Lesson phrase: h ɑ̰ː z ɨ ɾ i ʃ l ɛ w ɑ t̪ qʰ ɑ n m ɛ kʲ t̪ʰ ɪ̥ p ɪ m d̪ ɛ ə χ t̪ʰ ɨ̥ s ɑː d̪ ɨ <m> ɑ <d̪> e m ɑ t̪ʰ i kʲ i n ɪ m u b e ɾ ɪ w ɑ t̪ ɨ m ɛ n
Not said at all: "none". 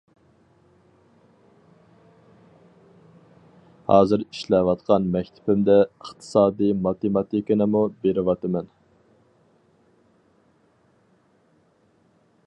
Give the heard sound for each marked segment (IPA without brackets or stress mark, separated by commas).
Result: m, t̪